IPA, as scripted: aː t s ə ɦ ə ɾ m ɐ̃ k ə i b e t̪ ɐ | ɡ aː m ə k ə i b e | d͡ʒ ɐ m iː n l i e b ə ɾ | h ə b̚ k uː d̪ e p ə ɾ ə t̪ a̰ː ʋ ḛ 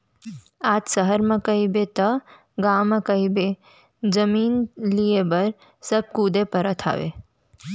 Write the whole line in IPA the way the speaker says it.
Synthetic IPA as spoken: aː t s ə ɦ ə ɾ m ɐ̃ k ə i b e t̪ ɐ | ɡ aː m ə k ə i b e | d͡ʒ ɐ m iː n l i e b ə ɾ | s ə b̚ k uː d̪ e p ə ɾ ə t̪ʰ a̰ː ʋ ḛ